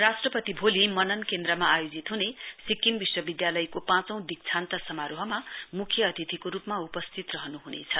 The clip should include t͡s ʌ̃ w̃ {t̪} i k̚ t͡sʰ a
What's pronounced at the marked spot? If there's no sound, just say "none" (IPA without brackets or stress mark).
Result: d̪